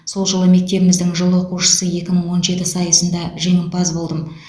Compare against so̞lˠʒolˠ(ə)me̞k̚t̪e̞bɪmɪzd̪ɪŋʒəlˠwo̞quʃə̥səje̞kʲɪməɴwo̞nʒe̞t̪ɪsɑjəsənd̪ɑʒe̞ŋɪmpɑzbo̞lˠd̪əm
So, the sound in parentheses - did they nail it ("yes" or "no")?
yes